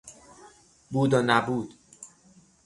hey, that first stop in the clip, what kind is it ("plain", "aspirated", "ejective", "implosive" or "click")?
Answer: plain